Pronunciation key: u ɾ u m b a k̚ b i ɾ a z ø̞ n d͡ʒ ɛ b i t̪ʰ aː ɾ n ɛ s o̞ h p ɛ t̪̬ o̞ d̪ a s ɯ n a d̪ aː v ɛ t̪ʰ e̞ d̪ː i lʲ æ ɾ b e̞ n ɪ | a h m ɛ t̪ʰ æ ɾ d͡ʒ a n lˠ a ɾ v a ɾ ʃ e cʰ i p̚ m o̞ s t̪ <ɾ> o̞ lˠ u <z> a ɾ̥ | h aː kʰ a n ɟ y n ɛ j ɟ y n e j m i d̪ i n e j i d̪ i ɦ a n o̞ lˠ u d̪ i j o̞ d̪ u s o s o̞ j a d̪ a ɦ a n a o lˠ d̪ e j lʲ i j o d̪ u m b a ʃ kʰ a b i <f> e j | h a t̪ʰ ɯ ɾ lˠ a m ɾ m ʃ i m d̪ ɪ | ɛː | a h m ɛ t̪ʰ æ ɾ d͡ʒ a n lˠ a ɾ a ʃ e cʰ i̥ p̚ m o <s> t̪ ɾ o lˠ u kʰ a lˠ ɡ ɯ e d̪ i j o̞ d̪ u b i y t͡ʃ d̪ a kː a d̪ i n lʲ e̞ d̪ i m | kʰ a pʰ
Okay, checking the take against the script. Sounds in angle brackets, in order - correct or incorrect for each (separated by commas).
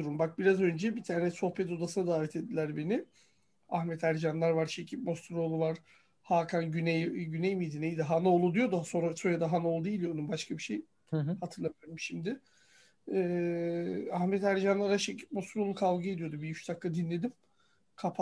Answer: correct, incorrect, incorrect, correct